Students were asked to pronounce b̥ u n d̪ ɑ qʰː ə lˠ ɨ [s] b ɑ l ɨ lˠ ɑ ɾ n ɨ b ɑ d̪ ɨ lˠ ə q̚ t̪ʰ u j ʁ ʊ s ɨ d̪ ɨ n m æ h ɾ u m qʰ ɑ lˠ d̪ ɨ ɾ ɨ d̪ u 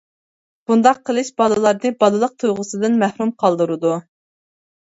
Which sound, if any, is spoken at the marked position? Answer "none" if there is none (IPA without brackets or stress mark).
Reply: ʃ